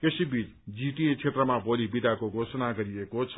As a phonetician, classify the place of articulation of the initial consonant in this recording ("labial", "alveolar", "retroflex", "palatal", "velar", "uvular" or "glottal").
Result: velar